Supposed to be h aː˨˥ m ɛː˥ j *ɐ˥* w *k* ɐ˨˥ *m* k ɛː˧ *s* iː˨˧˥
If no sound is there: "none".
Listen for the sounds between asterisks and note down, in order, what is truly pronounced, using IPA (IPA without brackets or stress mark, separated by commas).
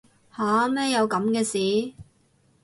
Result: ɐ˨˧, k, m, s